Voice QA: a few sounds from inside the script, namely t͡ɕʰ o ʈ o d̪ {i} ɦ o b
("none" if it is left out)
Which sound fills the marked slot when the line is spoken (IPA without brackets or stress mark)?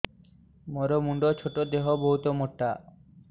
e